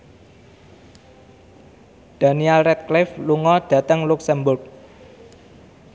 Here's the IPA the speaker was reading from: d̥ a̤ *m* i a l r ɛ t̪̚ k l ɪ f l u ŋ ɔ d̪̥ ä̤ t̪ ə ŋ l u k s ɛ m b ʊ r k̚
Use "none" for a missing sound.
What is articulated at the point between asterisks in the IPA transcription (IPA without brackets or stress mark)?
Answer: n